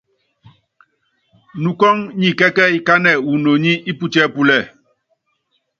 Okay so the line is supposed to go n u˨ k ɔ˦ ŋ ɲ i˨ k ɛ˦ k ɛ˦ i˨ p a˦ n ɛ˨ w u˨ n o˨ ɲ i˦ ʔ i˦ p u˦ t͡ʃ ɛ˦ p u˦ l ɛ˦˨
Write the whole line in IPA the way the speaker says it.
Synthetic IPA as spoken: n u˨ k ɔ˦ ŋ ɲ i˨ k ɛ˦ k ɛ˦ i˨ k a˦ n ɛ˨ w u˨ n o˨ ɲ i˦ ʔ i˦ p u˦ t͡ʃ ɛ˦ p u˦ l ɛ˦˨